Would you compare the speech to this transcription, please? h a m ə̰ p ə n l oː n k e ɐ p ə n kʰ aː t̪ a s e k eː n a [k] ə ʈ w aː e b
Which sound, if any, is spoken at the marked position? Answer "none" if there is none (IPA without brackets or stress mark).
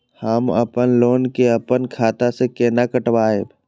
k